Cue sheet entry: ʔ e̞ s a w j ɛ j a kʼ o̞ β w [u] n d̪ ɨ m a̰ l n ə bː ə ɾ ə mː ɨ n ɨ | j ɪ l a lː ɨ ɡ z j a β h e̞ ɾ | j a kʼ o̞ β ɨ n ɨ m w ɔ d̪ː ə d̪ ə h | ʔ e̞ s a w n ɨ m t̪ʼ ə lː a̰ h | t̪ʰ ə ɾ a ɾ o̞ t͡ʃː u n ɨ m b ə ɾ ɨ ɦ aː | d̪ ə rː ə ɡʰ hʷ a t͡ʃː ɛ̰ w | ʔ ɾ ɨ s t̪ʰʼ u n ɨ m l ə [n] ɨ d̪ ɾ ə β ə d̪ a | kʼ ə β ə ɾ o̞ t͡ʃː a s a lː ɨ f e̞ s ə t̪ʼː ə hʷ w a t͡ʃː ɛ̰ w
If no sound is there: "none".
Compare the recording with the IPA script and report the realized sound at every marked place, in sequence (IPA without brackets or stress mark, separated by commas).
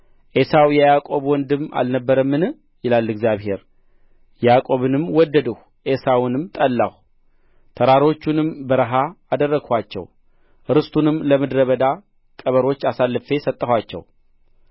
ɔ, m